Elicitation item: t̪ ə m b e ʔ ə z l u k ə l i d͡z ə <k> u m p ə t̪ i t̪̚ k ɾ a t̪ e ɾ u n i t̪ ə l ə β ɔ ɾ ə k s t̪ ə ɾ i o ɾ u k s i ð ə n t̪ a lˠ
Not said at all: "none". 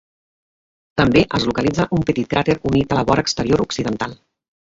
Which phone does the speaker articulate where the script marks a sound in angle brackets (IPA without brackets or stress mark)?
ʔ